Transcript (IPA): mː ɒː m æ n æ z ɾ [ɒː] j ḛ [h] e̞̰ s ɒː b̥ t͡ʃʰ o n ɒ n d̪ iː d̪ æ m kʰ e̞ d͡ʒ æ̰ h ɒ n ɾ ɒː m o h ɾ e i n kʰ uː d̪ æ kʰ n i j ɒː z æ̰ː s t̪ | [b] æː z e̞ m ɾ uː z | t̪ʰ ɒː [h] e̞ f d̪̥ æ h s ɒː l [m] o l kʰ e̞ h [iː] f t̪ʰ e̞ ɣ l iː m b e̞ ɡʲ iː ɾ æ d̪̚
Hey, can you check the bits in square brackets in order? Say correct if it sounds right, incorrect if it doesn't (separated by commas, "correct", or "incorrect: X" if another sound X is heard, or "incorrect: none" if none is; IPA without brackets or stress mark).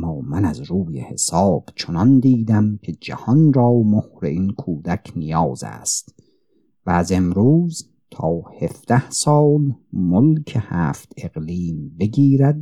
incorrect: uː, correct, incorrect: v, correct, correct, incorrect: æː